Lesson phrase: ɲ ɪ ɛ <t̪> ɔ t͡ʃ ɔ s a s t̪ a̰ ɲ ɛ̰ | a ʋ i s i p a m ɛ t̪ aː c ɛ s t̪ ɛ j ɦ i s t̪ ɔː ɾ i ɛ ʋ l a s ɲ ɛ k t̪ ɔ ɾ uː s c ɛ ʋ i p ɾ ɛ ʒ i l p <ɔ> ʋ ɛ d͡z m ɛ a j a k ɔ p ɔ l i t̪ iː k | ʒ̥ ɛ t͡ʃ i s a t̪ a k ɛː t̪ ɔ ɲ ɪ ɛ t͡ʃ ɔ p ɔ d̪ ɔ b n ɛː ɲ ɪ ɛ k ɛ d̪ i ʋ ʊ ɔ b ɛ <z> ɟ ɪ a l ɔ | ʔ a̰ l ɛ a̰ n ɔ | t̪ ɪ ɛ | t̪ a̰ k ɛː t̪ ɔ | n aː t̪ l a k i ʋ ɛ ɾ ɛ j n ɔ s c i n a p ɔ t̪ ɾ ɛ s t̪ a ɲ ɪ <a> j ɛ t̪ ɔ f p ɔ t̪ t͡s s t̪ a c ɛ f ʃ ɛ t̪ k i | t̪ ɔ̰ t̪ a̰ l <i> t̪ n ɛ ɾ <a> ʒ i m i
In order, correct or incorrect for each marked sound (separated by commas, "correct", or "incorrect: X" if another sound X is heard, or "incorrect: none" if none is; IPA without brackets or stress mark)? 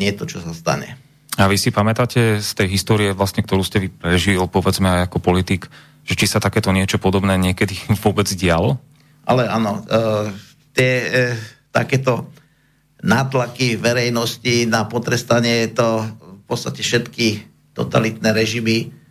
correct, correct, incorrect: d͡z, incorrect: ɛ, correct, incorrect: ɛ